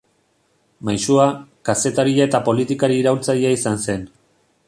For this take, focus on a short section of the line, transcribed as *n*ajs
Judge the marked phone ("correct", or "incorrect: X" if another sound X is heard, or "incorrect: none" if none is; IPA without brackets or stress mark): incorrect: m